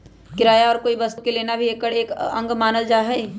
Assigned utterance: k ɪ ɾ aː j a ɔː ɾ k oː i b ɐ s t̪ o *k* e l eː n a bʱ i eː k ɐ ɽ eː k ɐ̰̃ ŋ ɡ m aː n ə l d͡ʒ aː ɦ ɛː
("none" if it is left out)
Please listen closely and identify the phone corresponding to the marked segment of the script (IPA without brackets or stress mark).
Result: k